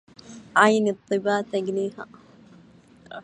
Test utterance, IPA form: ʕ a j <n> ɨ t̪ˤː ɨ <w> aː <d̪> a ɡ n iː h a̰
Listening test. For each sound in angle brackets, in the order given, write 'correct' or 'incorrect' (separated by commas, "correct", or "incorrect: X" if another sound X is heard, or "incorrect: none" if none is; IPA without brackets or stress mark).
correct, incorrect: b, incorrect: t̪